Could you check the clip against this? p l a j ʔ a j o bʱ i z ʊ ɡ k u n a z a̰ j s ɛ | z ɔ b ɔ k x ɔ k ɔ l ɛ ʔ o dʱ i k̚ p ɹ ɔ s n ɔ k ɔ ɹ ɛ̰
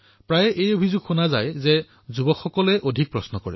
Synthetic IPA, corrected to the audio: p ɹ a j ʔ e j o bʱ i z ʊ ɡ x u n a z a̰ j z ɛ | z u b ɔ k x ɔ k ɔ l ɛ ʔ o dʱ i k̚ p ɹ ɔ s n ɔ k ɔ ɹ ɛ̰